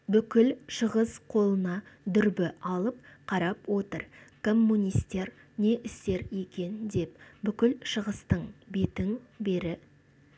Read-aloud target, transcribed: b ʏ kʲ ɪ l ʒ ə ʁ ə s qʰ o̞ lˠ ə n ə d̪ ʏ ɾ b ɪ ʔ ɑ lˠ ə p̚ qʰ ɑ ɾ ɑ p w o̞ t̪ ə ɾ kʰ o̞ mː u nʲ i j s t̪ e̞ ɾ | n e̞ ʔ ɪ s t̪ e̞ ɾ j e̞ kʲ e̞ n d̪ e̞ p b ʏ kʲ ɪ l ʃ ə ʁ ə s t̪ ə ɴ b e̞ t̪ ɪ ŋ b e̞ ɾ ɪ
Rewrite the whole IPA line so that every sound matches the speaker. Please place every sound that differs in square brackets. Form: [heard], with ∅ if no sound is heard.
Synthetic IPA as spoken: b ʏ kʲ ɪ l [ʃ] ə ʁ ə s qʰ o̞ lˠ ə n [ɑ] d̪ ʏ ɾ b ɪ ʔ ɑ lˠ ə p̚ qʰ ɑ ɾ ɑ p w o̞ t̪ ə ɾ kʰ o̞ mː u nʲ i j s t̪ e̞ ɾ | n e̞ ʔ ɪ s t̪ e̞ ɾ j e̞ kʲ e̞ n d̪ e̞ p b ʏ kʲ ɪ l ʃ ə ʁ ə s t̪ ə ɴ b e̞ t̪ ɪ ŋ b e̞ ɾ ɪ